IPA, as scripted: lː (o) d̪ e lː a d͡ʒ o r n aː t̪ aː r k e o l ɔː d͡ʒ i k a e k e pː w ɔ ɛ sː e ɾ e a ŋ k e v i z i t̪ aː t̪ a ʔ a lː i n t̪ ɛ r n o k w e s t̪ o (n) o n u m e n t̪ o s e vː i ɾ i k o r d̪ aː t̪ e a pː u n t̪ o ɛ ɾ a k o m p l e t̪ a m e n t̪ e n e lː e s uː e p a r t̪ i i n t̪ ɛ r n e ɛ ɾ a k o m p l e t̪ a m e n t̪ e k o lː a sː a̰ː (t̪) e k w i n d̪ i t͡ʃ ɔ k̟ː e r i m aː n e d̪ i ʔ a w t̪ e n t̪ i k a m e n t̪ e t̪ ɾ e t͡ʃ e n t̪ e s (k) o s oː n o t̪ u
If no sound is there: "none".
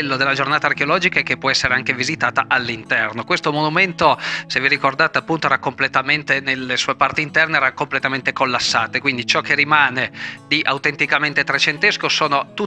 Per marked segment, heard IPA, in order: o, m, t̪, k

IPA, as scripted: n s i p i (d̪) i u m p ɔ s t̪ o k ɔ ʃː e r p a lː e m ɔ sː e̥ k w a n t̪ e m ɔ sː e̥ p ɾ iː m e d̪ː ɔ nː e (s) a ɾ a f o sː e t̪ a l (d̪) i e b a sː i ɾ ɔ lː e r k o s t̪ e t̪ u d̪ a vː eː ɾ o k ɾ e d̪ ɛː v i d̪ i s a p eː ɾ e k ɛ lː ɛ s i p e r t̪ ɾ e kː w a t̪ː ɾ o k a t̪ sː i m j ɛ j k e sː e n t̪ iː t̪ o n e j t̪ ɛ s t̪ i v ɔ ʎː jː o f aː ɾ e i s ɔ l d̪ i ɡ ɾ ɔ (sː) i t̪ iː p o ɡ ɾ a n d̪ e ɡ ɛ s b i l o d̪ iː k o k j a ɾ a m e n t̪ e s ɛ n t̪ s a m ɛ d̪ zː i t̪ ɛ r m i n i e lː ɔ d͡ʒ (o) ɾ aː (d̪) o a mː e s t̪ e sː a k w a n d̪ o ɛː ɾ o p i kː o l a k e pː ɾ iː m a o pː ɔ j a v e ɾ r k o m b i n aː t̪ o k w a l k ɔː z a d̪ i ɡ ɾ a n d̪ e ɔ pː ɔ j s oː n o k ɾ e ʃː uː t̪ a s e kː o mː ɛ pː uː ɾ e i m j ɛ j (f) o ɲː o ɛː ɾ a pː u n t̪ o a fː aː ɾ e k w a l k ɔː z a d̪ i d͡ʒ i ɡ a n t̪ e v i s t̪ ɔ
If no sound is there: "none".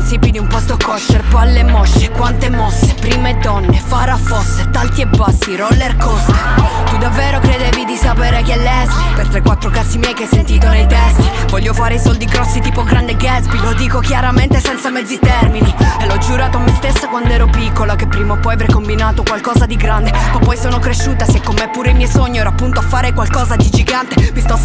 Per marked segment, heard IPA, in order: d̪, f, t̪, sː, u, t̪, s

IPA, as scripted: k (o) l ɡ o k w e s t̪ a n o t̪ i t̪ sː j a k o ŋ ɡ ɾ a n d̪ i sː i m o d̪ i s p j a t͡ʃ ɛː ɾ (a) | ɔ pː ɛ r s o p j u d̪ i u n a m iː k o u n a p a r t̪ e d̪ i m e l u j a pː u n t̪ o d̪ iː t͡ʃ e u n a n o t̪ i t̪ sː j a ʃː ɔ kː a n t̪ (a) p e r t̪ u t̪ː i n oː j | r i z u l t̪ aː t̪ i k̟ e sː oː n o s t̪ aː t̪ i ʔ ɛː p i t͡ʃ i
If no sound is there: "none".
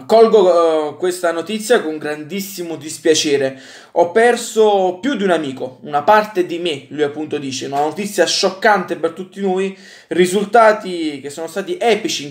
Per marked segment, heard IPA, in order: ɔ, e, e

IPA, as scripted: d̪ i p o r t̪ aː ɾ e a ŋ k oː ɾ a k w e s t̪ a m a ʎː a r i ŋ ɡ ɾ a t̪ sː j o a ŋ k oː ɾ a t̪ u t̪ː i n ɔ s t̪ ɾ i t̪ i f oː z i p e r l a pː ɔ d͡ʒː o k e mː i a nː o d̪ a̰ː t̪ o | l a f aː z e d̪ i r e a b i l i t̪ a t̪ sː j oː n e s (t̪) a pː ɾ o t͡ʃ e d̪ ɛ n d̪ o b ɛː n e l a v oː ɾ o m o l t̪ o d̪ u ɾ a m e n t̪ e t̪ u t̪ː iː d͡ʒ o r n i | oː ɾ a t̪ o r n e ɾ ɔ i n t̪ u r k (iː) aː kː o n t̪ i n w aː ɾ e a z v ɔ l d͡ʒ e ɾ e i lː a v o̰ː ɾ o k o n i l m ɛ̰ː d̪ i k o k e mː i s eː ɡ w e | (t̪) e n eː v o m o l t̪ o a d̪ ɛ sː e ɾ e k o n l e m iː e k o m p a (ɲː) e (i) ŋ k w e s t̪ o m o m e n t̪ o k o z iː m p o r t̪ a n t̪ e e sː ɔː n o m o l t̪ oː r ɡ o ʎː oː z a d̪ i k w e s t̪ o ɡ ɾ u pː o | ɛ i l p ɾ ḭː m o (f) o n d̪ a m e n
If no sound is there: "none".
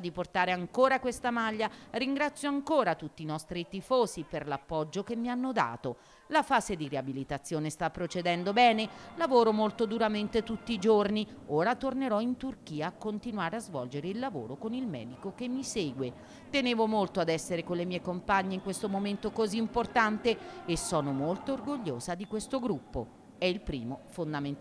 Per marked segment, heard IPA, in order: t̪, iː, t̪, ɲː, i, f

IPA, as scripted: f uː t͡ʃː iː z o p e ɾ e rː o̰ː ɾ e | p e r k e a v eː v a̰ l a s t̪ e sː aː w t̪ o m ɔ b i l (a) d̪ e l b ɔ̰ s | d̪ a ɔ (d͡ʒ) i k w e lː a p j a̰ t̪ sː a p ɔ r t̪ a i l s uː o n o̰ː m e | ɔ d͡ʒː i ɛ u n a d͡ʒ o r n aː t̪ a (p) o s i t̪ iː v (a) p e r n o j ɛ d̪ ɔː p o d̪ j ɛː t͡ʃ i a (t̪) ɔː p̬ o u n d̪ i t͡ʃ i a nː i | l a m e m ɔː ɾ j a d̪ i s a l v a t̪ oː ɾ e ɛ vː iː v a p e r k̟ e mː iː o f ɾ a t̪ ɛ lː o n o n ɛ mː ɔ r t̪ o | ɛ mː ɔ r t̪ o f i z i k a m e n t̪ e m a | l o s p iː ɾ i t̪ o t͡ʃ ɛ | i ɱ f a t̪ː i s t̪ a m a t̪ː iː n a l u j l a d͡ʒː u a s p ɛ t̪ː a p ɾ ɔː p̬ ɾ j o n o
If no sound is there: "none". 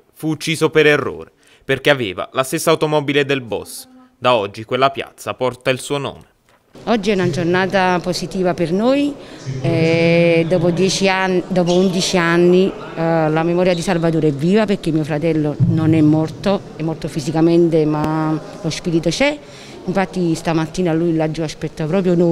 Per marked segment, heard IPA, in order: e, d͡ʒː, p, a, d̪

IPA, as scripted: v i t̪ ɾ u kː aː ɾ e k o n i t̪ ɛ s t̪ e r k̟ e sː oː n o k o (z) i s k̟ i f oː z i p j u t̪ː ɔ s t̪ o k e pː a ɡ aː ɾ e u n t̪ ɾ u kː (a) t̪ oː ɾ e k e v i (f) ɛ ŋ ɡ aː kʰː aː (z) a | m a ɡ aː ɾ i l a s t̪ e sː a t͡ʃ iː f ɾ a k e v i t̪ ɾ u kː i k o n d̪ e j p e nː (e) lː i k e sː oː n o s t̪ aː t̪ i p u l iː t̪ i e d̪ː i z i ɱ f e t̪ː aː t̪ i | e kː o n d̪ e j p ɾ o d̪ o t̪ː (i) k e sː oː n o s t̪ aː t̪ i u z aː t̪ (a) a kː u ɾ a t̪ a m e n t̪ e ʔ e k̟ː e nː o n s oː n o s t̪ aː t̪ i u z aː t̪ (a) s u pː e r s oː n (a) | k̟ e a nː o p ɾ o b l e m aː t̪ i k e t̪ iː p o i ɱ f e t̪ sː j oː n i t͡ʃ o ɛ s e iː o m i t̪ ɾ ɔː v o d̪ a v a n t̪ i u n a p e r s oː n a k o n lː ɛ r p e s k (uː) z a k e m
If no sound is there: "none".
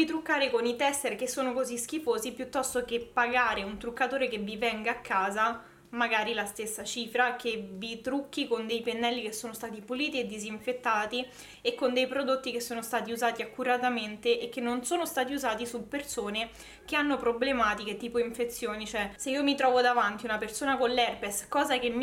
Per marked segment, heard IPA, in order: z, a, v, z, ɛ, i, i, i, e, ɔː

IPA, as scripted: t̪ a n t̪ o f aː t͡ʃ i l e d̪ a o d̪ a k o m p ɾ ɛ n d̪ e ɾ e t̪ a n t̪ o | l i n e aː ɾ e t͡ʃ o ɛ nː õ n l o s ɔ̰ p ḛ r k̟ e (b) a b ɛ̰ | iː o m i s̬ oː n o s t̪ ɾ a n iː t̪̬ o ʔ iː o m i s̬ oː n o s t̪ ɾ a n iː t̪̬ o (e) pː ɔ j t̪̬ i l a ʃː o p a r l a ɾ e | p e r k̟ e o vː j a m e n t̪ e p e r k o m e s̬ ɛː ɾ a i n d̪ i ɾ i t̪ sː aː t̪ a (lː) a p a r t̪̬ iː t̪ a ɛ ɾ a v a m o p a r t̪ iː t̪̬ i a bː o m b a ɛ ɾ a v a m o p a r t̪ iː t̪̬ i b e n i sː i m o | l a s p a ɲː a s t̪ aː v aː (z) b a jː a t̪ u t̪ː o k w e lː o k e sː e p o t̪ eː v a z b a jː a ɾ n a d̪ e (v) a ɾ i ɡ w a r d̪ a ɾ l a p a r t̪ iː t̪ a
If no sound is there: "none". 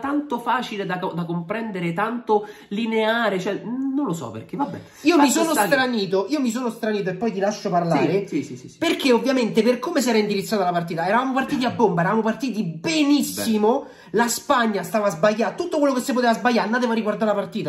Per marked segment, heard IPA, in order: v, e, l, z, v

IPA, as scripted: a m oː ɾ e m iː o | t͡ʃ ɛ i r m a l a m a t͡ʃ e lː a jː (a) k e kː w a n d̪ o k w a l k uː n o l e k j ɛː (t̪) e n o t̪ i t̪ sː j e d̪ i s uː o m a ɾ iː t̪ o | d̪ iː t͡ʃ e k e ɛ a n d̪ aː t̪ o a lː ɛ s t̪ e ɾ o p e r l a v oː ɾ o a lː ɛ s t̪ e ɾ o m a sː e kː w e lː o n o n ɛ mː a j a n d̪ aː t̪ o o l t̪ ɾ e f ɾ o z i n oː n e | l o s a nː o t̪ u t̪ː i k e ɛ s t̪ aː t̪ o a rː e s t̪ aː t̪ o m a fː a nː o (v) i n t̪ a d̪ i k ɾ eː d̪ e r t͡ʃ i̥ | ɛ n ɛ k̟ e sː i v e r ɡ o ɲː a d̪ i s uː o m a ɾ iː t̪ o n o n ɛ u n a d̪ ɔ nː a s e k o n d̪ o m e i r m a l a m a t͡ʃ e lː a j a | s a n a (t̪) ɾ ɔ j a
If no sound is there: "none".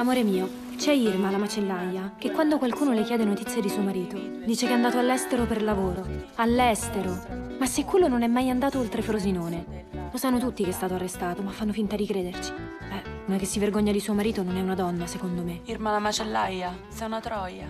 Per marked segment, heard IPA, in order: a, d̪, f, t̪

